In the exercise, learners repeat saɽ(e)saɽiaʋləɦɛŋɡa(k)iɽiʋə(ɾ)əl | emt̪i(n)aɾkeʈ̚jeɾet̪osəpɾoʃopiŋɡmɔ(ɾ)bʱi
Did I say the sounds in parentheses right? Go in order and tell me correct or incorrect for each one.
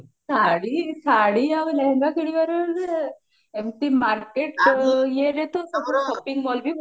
incorrect: i, correct, correct, incorrect: m, incorrect: l

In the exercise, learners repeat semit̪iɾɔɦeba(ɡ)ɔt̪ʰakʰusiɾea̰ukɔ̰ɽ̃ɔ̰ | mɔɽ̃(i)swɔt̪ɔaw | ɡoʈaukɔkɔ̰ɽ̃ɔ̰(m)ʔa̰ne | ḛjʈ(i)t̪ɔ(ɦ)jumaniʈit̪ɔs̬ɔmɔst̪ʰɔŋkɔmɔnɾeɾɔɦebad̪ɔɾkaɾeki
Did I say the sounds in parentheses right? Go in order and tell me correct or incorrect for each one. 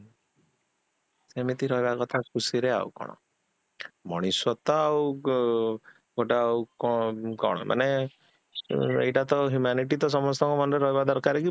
incorrect: k, correct, correct, incorrect: a, correct

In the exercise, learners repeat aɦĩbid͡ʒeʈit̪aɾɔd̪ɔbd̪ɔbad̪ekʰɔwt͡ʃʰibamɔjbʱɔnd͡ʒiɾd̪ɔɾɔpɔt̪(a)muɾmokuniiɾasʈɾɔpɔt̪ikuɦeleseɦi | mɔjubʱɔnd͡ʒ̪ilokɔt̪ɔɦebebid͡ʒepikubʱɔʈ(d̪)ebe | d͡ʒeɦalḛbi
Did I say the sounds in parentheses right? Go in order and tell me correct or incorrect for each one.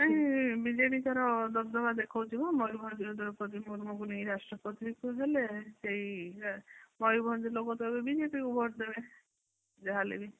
incorrect: i, correct

